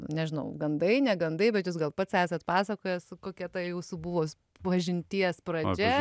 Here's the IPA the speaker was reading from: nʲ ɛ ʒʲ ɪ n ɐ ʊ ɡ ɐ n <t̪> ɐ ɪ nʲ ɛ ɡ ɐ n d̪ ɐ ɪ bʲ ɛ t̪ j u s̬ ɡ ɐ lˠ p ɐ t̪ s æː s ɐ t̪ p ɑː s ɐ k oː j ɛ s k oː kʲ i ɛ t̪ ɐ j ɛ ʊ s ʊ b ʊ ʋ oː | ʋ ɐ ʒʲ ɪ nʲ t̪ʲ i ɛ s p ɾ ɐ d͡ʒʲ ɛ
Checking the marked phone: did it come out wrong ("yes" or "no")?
yes